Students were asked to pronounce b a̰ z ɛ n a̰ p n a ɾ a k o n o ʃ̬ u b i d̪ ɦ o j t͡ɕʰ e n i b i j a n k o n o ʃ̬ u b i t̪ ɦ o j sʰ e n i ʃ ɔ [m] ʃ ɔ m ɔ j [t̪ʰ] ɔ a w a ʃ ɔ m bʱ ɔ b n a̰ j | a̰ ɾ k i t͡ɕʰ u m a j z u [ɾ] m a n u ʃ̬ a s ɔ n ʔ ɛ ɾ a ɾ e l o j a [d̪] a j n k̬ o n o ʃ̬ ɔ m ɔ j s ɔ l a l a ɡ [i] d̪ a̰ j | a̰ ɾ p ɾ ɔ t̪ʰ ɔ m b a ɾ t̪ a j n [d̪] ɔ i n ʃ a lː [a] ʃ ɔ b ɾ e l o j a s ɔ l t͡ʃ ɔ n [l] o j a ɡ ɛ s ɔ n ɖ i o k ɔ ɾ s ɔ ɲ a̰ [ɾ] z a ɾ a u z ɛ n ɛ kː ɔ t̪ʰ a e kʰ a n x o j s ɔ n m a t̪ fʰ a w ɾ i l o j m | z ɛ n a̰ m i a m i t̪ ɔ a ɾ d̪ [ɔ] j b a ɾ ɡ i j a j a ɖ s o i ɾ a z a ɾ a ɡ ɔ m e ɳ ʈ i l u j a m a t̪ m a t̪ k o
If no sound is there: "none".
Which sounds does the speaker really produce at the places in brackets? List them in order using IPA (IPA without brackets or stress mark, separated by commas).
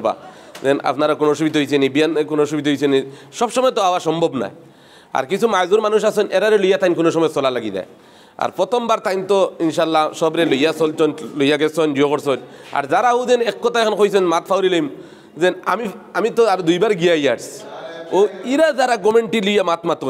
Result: b, t̪, ɾ, t̪, i, t̪, a, l, ɾ, u